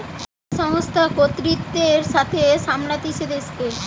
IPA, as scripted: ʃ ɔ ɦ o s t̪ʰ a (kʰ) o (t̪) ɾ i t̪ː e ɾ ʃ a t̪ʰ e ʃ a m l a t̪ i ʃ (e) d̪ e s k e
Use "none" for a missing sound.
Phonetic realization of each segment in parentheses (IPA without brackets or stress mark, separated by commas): k, t̪, e